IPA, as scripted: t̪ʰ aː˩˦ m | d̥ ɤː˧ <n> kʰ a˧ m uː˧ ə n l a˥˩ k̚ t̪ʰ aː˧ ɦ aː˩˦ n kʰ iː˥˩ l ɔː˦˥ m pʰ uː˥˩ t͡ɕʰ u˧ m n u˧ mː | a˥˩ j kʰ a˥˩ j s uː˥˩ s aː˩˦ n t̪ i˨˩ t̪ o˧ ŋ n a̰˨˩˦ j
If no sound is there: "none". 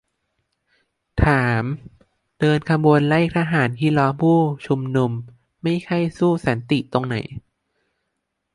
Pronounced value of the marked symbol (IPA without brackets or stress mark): n